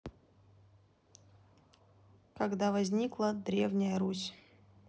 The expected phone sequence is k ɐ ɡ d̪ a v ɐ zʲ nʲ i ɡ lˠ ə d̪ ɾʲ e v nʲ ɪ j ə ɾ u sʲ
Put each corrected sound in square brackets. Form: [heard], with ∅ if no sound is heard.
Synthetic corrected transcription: k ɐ ɡ d̪ a v ɐ zʲ nʲ i [k] lˠ ə d̪ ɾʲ e v nʲ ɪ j ə ɾ u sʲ